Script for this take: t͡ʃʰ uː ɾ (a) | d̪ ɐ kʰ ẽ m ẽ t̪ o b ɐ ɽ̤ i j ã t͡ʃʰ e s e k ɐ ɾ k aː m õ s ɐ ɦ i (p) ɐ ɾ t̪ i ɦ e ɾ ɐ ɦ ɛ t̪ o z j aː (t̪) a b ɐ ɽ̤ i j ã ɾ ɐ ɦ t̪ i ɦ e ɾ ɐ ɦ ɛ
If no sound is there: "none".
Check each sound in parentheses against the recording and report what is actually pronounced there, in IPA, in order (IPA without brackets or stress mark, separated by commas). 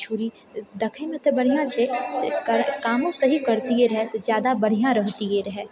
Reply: i, k, d̪